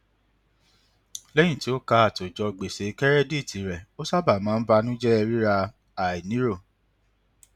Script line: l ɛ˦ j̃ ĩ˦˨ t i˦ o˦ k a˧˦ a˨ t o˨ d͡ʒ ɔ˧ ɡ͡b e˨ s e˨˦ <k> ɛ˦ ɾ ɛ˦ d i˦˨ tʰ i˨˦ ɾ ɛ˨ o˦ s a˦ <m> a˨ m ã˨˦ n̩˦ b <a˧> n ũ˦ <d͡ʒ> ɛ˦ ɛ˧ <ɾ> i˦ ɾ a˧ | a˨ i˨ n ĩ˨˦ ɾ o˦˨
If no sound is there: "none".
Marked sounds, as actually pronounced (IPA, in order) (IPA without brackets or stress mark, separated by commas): k, b, a˧, d͡ʒ, ɾ